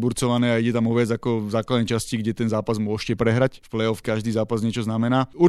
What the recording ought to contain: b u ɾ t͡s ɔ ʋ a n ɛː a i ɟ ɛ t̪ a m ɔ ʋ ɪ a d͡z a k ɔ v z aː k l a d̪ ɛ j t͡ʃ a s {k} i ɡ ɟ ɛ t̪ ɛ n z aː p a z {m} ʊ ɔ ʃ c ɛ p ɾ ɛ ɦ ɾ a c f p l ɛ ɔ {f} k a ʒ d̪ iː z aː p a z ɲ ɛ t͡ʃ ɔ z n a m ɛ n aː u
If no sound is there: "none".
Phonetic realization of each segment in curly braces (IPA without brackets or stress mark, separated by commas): c, m, f